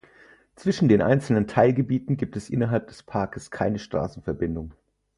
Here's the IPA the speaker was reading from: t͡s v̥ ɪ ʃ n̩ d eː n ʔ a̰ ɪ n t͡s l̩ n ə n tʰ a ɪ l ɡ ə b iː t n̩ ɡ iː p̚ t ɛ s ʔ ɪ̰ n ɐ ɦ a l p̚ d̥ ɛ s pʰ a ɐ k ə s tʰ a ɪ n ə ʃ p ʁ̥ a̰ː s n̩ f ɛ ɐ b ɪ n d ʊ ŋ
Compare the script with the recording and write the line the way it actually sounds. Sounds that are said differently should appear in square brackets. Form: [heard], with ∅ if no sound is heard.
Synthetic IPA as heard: t͡s v̥ ɪ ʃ n̩ d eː n ʔ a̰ ɪ n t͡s l̩ n ə n tʰ a ɪ l ɡ ə b iː t n̩ ɡ iː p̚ t ɛ s ʔ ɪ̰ n ɐ ɦ a l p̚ d̥ ɛ s pʰ a ɐ k ə s [kʰ] a ɪ n ə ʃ [t] ʁ̥ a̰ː s n̩ f ɛ ɐ b ɪ n d ʊ ŋ